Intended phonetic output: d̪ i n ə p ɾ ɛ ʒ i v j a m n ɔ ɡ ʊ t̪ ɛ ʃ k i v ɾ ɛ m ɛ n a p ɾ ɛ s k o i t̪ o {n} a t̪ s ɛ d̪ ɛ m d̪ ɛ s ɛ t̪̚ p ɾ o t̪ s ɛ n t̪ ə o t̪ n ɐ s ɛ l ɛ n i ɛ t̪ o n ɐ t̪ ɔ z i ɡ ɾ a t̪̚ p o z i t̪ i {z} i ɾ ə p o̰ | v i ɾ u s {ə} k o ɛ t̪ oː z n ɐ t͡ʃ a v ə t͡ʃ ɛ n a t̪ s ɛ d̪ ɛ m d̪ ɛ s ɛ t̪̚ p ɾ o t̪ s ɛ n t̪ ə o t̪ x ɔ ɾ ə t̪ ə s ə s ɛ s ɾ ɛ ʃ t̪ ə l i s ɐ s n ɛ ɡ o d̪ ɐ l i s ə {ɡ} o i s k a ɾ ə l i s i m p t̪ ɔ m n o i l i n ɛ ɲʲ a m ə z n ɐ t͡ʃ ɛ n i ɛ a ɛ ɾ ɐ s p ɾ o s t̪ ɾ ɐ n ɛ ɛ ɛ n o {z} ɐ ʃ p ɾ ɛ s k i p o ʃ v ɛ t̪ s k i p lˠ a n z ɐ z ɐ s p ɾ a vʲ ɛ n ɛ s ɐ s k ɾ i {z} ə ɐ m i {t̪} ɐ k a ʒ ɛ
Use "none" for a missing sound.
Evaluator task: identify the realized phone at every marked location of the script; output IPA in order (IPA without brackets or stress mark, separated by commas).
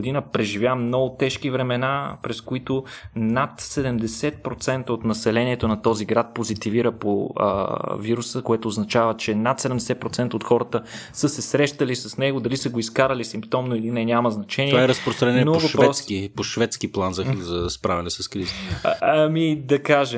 n, v, ə, ɡ, v, z, d̪